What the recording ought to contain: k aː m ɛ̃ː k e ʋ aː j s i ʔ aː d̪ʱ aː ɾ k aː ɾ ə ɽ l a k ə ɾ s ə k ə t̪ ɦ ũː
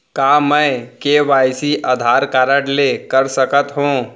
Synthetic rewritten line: k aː m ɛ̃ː k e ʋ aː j s i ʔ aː d̪ʱ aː ɾ k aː ɾ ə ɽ l e k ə ɾ s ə k ə t̪ ɦ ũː